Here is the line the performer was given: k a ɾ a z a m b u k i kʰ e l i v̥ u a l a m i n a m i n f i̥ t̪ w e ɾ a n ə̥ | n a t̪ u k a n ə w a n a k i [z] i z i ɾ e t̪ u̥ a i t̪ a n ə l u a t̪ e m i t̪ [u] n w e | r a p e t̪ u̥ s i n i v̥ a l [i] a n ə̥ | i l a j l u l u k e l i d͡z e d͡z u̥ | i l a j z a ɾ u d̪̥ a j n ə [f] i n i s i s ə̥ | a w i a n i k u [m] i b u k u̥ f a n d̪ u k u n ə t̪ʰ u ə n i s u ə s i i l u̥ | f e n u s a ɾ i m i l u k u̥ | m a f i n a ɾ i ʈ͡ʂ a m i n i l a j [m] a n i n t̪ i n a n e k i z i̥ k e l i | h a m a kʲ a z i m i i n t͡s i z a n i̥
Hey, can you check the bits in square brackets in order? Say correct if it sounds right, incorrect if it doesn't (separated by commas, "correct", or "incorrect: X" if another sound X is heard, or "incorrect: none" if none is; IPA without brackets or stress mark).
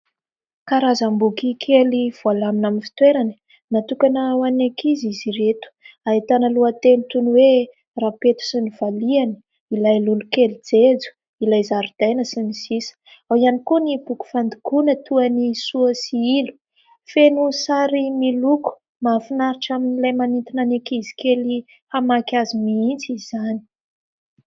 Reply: correct, correct, correct, incorrect: s, incorrect: n, correct